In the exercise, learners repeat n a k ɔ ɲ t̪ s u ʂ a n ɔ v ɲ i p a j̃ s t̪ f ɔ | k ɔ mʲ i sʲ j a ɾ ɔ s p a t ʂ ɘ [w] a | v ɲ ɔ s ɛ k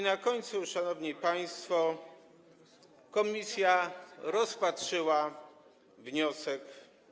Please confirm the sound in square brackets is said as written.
yes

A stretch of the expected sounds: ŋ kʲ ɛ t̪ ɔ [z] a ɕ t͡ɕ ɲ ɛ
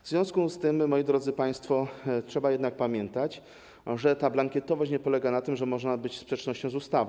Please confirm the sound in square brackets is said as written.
no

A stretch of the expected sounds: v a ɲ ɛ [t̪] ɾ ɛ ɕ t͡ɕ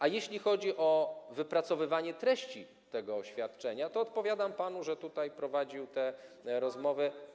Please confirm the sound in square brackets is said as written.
yes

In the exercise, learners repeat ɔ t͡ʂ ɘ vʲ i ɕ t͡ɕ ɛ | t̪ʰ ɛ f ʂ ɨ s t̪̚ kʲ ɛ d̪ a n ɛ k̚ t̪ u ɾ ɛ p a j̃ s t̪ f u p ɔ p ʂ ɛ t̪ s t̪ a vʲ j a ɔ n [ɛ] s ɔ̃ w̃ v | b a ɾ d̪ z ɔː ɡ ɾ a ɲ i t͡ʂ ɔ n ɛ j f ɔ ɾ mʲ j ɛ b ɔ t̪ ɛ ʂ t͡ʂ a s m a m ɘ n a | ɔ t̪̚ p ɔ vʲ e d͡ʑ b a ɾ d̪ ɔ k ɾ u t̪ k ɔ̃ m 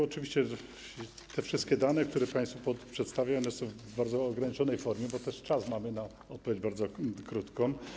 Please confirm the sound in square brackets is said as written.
yes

